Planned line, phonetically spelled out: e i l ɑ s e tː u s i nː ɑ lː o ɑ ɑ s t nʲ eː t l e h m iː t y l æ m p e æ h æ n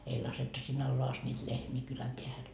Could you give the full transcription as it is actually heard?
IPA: e i l ɑ s e tː u s i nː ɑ lː o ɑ ɑ s t nʲ iː t l e h m iː k y l æ m p e æ h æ n

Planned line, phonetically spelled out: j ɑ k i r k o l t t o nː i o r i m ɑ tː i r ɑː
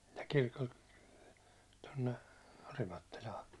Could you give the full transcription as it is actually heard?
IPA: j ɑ k i r k o l t t o nː e o r i m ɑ tː i l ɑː

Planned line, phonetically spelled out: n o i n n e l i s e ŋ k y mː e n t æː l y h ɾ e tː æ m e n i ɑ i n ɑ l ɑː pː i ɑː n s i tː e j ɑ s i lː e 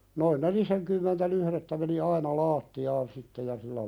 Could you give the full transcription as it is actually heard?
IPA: n o i n n e l i s e ŋ k y mː e n t æ l y h ɾ e tː æ m e n i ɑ i n ɑ l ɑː tː i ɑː n s i tː e j ɑ s i lː æ

